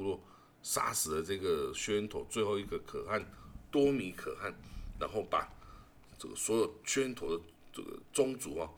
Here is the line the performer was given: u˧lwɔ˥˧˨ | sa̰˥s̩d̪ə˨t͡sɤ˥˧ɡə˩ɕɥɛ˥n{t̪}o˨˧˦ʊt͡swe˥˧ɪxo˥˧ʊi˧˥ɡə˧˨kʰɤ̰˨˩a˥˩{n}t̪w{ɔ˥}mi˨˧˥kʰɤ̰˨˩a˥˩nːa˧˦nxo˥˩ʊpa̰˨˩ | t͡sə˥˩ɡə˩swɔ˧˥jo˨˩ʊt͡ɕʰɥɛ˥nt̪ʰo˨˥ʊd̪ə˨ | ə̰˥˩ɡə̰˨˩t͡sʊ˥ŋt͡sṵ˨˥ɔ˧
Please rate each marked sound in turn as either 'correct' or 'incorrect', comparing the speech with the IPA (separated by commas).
incorrect, correct, correct